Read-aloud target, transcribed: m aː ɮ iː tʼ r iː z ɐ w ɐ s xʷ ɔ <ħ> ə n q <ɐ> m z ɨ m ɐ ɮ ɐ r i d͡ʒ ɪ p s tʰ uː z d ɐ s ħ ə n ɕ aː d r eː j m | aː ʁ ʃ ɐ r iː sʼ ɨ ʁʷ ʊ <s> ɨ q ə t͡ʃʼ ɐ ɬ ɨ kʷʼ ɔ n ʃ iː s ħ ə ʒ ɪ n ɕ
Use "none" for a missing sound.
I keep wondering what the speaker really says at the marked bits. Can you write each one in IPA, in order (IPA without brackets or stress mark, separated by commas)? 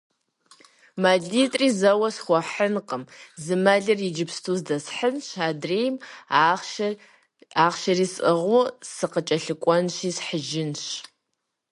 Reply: ħ, ə, s